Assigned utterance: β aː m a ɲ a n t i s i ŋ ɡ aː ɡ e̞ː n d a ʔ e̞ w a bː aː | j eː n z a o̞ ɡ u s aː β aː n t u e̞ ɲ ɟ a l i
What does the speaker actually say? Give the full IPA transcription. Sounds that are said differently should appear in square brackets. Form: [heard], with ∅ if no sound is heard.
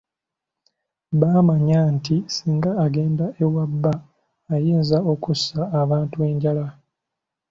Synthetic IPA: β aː m a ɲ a n t i s [iː] ŋ ɡ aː ɡ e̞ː n d a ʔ e̞ w a bː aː | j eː n z a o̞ [k] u s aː β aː n t u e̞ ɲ ɟ a l [a]